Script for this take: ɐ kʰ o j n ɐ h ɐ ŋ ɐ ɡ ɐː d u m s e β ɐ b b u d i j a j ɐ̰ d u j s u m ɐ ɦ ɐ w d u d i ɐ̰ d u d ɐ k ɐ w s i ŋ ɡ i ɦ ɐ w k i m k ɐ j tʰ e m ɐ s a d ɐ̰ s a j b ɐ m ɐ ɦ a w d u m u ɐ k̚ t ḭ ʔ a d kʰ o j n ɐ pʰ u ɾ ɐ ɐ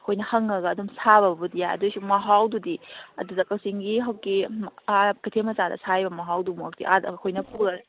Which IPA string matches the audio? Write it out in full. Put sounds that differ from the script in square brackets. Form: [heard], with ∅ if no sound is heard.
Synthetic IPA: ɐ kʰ o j n ɐ h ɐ ŋ ɐ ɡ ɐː d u m s [a] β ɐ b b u d i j a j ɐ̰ d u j s u m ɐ ɦ [a] w d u d i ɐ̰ d u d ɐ k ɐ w s i ŋ ɡ i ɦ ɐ w k i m k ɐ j tʰ e m ɐ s a d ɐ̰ s a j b ɐ m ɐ ɦ a w d u m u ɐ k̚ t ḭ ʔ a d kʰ o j n ɐ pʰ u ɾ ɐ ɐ